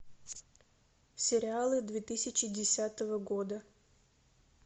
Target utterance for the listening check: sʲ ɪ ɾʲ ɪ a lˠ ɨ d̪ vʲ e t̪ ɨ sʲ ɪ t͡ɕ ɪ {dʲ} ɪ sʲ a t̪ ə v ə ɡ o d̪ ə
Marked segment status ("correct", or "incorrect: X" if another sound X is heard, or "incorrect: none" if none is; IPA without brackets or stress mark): correct